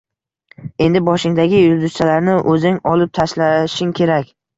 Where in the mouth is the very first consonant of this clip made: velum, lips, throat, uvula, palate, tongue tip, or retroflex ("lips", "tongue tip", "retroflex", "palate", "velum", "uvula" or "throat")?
tongue tip